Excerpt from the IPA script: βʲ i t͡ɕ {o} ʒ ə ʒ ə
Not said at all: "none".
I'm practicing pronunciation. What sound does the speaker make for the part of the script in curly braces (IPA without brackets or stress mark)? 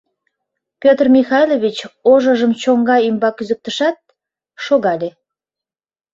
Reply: o